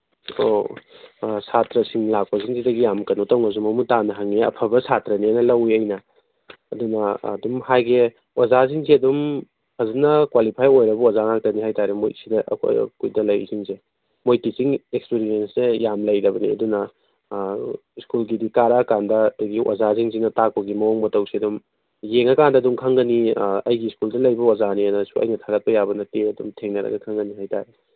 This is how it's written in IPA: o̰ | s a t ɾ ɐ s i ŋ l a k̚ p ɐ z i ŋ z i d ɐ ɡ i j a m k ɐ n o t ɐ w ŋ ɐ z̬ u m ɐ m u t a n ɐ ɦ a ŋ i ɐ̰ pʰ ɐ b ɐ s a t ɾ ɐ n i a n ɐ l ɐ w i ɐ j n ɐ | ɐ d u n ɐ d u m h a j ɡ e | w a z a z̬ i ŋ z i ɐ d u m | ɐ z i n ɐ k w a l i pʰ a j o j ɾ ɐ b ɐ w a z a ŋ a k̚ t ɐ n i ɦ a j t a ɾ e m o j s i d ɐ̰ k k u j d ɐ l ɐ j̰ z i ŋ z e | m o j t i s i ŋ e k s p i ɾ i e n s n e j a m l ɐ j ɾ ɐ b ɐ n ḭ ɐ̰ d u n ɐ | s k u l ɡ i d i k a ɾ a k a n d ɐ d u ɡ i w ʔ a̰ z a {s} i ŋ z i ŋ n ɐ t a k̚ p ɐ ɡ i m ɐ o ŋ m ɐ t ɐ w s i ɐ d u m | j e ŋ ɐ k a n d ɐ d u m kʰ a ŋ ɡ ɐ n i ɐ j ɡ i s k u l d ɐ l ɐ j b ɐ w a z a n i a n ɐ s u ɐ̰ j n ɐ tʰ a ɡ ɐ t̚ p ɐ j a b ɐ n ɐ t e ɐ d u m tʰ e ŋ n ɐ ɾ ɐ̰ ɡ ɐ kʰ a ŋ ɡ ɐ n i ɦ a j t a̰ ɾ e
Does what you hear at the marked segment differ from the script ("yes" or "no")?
yes